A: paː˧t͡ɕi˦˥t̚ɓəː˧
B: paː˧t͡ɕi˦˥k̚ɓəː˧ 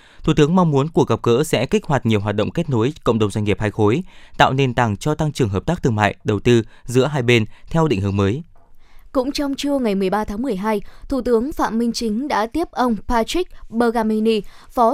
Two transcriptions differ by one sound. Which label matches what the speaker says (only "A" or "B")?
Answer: B